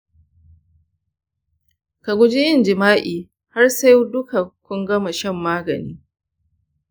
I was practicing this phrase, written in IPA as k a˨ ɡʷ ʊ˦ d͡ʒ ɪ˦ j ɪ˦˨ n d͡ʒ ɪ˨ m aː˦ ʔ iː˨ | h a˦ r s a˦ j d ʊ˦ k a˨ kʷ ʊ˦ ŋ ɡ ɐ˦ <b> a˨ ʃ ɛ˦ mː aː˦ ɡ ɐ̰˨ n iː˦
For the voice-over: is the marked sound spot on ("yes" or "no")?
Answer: no